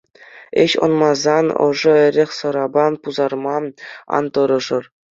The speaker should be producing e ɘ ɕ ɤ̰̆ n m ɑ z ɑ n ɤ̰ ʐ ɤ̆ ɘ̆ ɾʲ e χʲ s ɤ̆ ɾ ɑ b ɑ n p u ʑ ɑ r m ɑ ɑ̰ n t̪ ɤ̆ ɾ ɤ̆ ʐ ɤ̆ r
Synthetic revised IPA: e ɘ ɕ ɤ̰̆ n m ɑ z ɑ n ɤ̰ ʐ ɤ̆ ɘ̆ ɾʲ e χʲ s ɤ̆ ɾ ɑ b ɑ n p u z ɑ r m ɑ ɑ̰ n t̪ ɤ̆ ɾ ɤ̆ ʐ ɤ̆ r